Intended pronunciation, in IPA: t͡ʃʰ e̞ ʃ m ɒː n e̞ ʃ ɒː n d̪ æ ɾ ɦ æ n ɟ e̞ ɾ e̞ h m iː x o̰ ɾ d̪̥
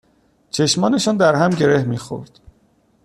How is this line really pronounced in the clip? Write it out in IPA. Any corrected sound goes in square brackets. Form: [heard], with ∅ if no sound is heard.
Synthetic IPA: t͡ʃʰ e̞ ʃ m ɒː n e̞ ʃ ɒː n d̪ æ ɾ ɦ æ [m] ɟ e̞ ɾ e̞ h m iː x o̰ ɾ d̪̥